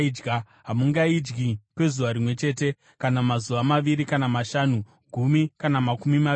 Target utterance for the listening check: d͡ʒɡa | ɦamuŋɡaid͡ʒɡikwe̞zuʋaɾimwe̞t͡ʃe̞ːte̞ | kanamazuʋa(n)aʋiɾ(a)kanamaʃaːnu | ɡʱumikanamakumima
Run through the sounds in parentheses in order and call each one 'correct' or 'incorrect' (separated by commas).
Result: incorrect, incorrect